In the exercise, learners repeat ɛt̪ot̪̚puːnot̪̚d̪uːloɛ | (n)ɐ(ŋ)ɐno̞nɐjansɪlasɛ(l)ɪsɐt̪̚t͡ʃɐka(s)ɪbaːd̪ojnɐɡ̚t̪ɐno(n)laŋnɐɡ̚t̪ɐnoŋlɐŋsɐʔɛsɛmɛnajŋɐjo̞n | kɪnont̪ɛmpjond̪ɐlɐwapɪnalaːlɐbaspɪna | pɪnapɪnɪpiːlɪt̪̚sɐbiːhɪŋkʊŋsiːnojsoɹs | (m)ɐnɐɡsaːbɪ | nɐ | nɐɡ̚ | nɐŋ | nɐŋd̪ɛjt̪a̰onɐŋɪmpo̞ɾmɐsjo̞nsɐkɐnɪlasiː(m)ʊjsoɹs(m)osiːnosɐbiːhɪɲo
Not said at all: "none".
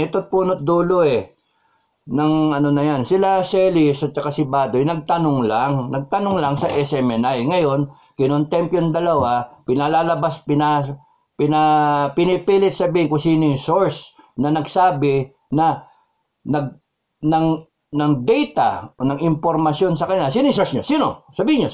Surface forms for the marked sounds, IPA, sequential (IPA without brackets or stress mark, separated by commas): n, ŋ, l, s, ŋ, n, n, ɲ